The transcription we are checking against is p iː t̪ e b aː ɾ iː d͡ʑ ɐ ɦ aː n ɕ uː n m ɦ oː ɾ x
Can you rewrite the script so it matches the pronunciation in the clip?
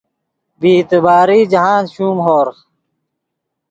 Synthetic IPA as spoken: b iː t̪ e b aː ɾ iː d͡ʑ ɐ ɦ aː n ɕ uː m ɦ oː ɾ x